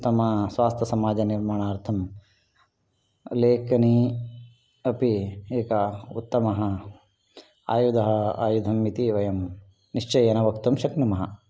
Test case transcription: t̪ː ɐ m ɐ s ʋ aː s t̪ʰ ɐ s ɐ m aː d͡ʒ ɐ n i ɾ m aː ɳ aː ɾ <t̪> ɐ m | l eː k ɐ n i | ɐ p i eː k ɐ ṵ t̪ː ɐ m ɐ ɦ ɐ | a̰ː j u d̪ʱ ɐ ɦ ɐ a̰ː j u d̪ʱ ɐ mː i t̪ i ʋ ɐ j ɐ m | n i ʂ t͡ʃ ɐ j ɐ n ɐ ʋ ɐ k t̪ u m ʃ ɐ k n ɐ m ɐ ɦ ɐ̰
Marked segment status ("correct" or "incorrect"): incorrect